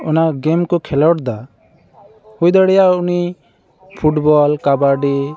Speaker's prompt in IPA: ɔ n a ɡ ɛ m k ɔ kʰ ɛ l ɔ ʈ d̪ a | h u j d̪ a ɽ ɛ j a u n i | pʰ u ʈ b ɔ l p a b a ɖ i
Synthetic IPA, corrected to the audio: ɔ n a ɡ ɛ m k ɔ kʰ ɛ l ɔ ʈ d̪ a | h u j d̪ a ɽ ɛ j a u n i | pʰ u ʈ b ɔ l k a b a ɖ i